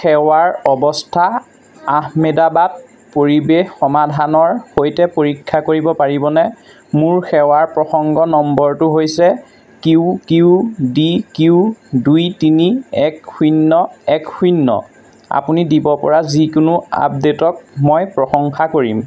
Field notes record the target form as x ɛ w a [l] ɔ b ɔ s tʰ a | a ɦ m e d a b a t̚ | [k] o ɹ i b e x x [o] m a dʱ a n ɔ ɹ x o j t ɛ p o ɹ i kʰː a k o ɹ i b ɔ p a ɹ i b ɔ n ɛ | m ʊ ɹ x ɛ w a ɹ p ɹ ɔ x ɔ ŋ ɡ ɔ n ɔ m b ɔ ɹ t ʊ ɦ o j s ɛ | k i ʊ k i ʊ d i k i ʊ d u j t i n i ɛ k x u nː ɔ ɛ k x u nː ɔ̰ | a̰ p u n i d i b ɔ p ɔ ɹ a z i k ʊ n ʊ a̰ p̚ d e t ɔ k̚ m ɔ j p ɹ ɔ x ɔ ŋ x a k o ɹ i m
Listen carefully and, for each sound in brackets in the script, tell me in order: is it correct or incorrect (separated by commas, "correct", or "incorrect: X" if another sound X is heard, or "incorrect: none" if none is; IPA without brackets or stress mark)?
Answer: incorrect: ɹ, incorrect: p, incorrect: ɔ